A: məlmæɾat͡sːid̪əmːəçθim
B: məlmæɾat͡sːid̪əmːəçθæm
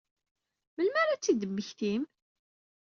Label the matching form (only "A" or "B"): A